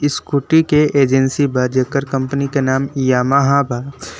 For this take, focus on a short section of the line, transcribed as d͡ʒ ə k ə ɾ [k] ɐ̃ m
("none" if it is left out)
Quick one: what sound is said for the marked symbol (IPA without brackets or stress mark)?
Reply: k